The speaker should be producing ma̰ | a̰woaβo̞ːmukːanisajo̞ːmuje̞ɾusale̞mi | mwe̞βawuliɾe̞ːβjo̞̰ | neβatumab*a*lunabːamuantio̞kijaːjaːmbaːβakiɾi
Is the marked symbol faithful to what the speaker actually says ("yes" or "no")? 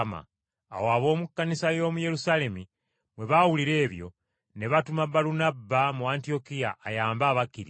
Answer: yes